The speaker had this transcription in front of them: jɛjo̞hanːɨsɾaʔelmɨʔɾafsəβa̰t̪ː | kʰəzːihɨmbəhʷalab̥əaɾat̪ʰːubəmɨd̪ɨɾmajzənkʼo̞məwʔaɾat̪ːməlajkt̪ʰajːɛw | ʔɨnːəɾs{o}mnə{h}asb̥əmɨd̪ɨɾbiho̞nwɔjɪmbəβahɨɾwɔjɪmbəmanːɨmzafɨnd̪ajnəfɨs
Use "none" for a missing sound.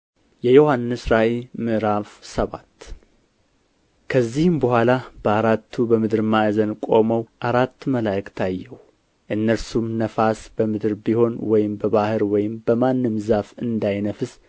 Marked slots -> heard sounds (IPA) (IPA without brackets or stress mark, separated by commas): u, f